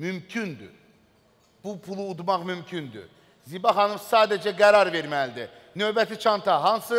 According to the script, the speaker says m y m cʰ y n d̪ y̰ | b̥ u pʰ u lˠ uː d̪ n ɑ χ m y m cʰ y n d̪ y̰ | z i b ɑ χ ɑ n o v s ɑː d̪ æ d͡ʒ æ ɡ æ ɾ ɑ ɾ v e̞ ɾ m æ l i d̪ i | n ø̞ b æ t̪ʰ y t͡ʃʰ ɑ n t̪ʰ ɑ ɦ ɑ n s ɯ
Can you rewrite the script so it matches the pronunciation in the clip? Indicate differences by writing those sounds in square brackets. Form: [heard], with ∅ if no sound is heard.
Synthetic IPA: m y m cʰ y n d̪ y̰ | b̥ u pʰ u lˠ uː d̪ [m] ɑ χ m y m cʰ y n d̪ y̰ | z i b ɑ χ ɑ n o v s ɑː d̪ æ d͡ʒ æ ɡ æ ɾ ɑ ɾ v e̞ ɾ m æ l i d̪ i | n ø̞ b æ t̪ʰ [i] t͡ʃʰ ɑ n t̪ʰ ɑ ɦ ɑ n s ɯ

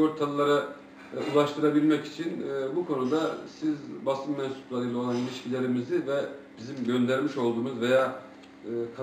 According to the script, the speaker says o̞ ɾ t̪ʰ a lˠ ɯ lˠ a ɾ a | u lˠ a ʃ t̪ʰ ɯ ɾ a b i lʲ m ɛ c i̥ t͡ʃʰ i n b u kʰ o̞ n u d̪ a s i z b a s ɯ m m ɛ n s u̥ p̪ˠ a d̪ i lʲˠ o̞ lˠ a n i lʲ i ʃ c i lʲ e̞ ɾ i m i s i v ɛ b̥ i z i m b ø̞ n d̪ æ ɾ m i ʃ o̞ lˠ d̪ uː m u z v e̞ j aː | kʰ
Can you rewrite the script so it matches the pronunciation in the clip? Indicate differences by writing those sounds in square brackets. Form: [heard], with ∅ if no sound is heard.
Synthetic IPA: o̞ ɾ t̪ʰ a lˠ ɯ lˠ a ɾ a | u lˠ a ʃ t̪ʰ ɯ ɾ a b i lʲ m ɛ c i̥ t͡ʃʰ i n b u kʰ o̞ n u d̪ a s i z b a s ɯ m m ɛ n s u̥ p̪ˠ a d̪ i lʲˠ o̞ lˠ a n i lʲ i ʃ c i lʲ e̞ ɾ i m i [z] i v ɛ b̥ i z i m [ɟ] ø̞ n d̪ æ ɾ m i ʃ o̞ lˠ d̪ uː m u z v e̞ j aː | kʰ

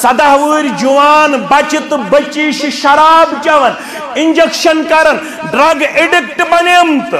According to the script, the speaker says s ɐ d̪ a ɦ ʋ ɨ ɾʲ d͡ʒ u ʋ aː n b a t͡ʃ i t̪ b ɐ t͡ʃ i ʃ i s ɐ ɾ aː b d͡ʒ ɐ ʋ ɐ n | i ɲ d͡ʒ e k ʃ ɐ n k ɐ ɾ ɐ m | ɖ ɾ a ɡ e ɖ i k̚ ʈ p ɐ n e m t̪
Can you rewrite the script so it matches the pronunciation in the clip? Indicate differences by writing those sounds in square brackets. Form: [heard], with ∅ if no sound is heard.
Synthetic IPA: s ɐ d̪ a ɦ ʋ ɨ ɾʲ d͡ʒ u ʋ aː n b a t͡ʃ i t̪ b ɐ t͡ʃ i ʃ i [ʃ] ɐ ɾ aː b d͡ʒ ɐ ʋ ɐ n | i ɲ d͡ʒ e k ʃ ɐ n k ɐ ɾ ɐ [n] | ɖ ɾ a ɡ e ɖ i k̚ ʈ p ɐ n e m t̪

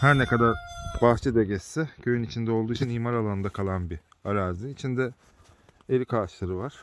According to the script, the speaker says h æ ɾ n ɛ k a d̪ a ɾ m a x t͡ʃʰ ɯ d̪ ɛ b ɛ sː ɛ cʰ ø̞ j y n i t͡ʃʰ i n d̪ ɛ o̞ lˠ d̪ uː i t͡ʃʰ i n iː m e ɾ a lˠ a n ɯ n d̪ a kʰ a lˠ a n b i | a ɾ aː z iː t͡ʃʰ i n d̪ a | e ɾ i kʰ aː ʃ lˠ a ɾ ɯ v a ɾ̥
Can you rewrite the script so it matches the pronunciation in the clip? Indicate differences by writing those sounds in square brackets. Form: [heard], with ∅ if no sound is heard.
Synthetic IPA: h æ ɾ n ɛ k a d̪ a ɾ [b] a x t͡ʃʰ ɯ d̪ ɛ [ɟ] ɛ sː ɛ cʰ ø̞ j y n i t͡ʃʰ i n d̪ ɛ o̞ lˠ d̪ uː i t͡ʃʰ i n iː m [a] ɾ a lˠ a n ɯ n d̪ a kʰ a lˠ a n b i | a ɾ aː z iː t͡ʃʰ i n d̪ [ɛ] | e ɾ i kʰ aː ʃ lˠ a ɾ ɯ v a ɾ̥

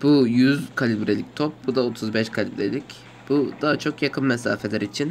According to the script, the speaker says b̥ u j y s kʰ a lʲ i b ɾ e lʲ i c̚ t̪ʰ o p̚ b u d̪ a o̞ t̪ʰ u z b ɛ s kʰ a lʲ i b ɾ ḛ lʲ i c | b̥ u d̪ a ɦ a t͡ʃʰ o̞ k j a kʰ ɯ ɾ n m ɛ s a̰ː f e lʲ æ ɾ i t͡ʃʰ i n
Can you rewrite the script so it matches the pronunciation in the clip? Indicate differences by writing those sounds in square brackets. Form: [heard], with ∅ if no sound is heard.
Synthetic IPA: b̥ u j y [z] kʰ a lʲ i b ɾ e lʲ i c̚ t̪ʰ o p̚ b u d̪ a o̞ t̪ʰ u z b ɛ [ʃ] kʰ a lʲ i b ɾ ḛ lʲ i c | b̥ u d̪ a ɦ a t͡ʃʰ o̞ k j a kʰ ɯ [∅] n m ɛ s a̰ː f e lʲ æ ɾ i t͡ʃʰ i n

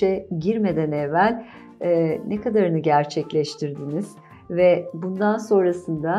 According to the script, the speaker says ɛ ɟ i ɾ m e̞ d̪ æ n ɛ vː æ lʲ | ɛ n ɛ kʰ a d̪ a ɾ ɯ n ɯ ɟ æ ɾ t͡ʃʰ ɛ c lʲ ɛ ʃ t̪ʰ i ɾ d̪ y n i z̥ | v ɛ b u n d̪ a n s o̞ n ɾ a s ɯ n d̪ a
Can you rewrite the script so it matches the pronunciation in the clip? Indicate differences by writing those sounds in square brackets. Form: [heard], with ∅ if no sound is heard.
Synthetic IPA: ɛ ɟ i ɾ m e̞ d̪ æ n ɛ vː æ lʲ | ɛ n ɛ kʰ a d̪ a ɾ ɯ n ɯ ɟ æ ɾ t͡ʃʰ ɛ c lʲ ɛ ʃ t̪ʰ i ɾ d̪ [i] n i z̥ | v ɛ b u n d̪ a n s o̞ n ɾ a s ɯ n d̪ a

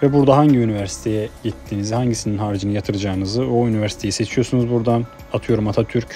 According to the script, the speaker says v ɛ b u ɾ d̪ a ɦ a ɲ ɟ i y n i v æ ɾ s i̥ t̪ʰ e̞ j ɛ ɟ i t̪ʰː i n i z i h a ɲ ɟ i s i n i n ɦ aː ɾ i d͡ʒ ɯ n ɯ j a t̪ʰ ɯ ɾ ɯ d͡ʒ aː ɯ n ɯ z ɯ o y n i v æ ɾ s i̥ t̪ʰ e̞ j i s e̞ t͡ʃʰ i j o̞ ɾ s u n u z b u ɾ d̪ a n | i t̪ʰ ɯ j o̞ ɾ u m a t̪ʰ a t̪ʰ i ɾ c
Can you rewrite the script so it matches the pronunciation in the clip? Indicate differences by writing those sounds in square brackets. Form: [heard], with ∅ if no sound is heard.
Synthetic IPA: v ɛ b u ɾ d̪ a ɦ a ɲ ɟ i y n i v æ ɾ s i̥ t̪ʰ e̞ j ɛ ɟ i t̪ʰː i n i z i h a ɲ ɟ i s i n i n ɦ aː ɾ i d͡ʒ ɯ n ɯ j a t̪ʰ ɯ ɾ ɯ d͡ʒ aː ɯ n ɯ z ɯ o y n i v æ ɾ s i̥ t̪ʰ e̞ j i s e̞ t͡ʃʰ i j o̞ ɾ s u n u z b u ɾ d̪ a n | [a] t̪ʰ ɯ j o̞ ɾ u m a t̪ʰ a t̪ʰ [y] ɾ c

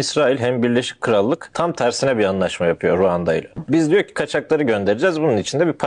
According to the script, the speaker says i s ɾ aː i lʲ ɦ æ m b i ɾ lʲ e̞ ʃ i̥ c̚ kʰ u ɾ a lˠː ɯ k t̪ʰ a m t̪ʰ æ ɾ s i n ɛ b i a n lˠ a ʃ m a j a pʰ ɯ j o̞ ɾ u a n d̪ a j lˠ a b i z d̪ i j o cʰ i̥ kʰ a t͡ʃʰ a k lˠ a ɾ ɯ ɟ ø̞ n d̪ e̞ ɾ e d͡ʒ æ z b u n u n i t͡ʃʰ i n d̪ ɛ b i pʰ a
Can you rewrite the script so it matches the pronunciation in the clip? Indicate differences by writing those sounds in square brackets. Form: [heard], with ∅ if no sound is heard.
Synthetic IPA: i s ɾ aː i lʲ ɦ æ m b i ɾ lʲ e̞ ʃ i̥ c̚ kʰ [ɯ] ɾ a lˠː ɯ k t̪ʰ a m t̪ʰ æ ɾ s i n ɛ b i a n lˠ a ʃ m a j a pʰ ɯ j o̞ ɾ u a n d̪ a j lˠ a b i z d̪ i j o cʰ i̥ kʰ a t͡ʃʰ a k lˠ a ɾ ɯ ɟ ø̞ n d̪ e̞ ɾ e d͡ʒ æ z b u n u n i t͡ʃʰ i n d̪ ɛ b i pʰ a

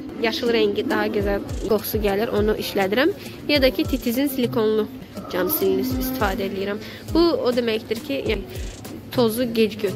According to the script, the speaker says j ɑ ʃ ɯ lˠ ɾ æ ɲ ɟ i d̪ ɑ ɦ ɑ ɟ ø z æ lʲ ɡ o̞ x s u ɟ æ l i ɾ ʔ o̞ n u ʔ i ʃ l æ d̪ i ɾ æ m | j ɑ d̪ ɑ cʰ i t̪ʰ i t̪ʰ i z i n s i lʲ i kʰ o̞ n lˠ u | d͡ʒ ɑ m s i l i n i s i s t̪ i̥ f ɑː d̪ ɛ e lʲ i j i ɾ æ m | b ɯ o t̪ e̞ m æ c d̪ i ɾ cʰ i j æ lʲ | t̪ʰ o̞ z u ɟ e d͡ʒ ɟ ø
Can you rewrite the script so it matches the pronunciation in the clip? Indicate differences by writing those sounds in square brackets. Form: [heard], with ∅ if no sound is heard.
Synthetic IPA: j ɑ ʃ ɯ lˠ ɾ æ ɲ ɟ i d̪ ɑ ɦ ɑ ɟ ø z æ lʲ ɡ o̞ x s u ɟ æ l i ɾ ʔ o̞ n u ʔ i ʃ l æ d̪ i ɾ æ m | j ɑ d̪ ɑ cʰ i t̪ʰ i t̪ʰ i z i n s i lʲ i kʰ o̞ n lˠ u | d͡ʒ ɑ m s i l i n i s i s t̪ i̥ f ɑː d̪ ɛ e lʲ i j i ɾ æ m | b [u] o [d̪] e̞ m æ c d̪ i ɾ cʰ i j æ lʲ | t̪ʰ o̞ z u ɟ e d͡ʒ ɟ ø

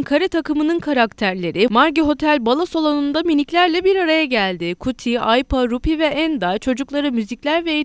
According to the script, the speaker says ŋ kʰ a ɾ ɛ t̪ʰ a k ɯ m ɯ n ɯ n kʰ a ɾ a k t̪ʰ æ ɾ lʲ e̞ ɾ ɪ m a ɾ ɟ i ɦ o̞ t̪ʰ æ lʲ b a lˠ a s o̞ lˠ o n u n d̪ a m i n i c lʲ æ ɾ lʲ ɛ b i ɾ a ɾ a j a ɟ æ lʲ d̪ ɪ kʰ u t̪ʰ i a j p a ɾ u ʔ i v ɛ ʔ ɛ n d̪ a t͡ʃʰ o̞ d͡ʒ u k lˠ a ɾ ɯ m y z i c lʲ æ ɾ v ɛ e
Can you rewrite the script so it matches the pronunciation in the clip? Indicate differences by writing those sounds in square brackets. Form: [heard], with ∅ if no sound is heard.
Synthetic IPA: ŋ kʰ a ɾ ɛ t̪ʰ a k ɯ m ɯ n ɯ n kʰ a ɾ a k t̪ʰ æ ɾ lʲ e̞ ɾ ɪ m a ɾ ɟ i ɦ o̞ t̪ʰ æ lʲ b a lˠ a s o̞ lˠ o n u n d̪ a m i n i c lʲ æ ɾ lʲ ɛ b i ɾ a ɾ a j a ɟ æ lʲ d̪ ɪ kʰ u t̪ʰ i a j p a ɾ u [p] i v ɛ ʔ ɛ n d̪ a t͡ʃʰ o̞ d͡ʒ u k lˠ a ɾ ɯ m y z i c lʲ æ ɾ v ɛ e

